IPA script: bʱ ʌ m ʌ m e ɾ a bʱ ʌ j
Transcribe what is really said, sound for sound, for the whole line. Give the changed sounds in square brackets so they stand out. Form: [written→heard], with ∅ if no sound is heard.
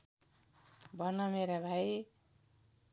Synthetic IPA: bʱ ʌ [m→n] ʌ m e ɾ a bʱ [ʌ→a] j

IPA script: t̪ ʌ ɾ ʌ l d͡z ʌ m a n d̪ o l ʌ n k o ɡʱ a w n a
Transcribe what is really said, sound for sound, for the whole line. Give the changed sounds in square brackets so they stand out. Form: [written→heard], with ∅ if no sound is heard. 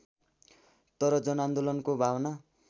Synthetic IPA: t̪ ʌ ɾ ʌ [l→∅] d͡z ʌ [m→n] a n d̪ o l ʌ n k o [ɡʱ→bʱ] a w n a

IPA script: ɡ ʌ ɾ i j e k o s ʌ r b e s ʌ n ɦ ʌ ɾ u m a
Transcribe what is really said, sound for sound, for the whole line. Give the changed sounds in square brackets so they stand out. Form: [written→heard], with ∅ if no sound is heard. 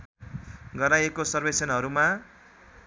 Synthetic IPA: ɡ ʌ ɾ [i→a] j e k o s ʌ r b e s ʌ n ɦ ʌ ɾ u m a

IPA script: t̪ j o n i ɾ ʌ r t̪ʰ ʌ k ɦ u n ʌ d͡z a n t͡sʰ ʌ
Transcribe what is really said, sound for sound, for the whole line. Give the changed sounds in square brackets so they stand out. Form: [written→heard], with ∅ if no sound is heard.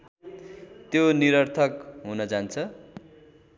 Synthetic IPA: t̪ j o n i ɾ ʌ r t̪ʰ ʌ k ɦ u n ʌ d͡z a n t͡sʰ ʌ

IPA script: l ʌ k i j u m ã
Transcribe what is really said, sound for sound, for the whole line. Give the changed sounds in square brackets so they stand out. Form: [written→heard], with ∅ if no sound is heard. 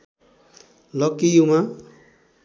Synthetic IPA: l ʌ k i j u m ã

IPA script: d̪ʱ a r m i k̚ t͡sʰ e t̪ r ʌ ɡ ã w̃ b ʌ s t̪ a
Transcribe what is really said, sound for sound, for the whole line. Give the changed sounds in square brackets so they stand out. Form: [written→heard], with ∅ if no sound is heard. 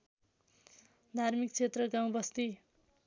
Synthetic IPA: d̪ʱ a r m i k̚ t͡sʰ e t̪ r ʌ ɡ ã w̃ b ʌ s t̪ [a→i]

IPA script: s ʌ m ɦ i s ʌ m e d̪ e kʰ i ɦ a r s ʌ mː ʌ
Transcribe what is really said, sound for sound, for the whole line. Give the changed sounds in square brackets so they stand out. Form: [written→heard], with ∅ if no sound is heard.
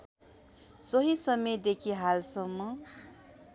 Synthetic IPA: s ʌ [m→∅] ɦ i s ʌ m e d̪ e kʰ i ɦ a [r→l] s ʌ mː ʌ

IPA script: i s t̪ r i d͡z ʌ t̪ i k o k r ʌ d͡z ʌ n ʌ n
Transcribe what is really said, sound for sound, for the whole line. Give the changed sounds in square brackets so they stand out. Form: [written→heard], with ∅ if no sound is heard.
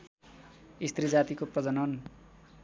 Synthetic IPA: i s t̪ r i d͡z [ʌ→a] t̪ i k o [k→p] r ʌ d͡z ʌ n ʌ n

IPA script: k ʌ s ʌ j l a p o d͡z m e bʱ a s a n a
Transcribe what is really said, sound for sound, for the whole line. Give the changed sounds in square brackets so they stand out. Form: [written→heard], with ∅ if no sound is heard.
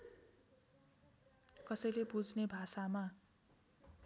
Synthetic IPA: k ʌ s ʌ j l [a→e] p [o→u] d͡z [m→n] e bʱ a s a [n→m] a

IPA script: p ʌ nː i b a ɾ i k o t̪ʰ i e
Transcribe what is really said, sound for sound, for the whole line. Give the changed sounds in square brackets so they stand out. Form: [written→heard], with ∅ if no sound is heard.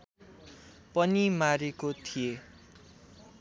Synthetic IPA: p ʌ [nː→n] i [b→m] a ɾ [i→e] k o t̪ʰ i e

